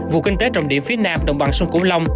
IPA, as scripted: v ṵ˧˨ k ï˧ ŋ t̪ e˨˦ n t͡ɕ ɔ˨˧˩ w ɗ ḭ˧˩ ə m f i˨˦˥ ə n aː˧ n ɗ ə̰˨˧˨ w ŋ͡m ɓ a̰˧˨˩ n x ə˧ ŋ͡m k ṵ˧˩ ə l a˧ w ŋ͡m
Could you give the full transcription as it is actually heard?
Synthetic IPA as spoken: v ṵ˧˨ k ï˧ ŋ t̪ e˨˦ t͡ɕ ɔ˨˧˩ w ɗ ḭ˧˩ ə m f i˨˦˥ ə n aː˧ m ɗ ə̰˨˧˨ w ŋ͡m ɓ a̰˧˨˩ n s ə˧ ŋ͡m k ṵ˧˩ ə l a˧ w ŋ͡m